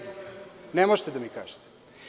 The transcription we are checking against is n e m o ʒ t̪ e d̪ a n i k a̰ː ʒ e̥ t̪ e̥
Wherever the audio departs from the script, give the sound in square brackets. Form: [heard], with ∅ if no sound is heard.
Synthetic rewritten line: n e m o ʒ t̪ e d̪ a [m] i k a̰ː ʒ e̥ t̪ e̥